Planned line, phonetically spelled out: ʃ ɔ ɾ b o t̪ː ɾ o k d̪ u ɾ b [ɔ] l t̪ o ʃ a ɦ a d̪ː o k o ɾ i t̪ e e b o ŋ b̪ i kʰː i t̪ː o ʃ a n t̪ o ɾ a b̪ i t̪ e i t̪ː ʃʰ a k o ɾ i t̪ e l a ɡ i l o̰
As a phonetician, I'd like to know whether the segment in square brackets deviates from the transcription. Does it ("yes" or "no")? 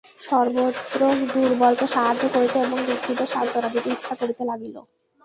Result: no